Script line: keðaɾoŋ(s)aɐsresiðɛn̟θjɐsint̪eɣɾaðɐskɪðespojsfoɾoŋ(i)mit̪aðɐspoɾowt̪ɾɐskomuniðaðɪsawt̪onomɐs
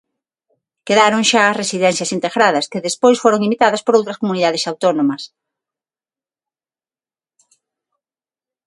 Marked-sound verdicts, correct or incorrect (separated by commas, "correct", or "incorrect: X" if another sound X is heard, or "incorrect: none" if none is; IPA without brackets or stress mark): incorrect: ʃ, correct